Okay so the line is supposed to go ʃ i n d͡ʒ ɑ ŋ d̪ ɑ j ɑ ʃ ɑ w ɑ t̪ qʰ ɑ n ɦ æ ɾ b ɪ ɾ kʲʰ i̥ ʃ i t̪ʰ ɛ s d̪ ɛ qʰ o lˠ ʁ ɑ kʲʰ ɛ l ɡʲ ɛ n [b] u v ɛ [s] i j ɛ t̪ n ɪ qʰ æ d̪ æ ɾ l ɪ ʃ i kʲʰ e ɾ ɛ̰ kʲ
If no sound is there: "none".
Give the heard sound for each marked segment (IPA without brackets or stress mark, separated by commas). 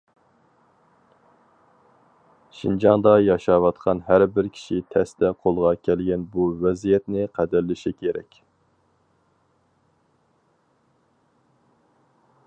b, z